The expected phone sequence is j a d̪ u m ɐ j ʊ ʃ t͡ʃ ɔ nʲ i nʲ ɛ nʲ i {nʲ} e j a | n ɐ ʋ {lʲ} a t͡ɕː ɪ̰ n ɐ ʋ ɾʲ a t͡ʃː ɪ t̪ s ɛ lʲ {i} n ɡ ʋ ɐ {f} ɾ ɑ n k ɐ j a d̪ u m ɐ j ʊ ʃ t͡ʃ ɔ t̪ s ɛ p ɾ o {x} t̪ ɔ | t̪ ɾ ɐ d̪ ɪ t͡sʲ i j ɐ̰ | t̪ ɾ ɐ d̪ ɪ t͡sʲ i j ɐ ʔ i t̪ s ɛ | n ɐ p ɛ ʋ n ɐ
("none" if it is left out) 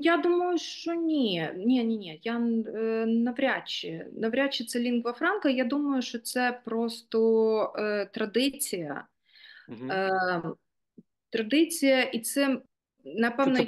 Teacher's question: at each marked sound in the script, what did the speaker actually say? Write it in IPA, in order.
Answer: nʲ, ɾʲ, i, f, s

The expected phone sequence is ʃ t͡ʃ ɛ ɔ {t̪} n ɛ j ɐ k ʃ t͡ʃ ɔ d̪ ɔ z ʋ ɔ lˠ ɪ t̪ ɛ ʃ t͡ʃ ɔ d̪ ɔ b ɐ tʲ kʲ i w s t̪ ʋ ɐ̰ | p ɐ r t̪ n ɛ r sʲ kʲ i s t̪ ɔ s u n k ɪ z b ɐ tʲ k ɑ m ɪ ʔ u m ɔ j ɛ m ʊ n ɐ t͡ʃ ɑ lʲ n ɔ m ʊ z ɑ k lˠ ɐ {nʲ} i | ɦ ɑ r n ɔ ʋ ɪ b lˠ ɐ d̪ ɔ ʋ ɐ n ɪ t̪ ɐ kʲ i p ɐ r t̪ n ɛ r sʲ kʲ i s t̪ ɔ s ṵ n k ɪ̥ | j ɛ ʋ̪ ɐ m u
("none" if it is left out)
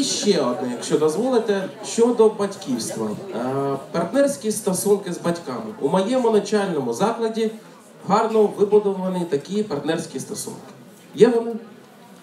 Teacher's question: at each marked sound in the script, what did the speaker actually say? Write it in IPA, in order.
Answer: d̪, dʲ

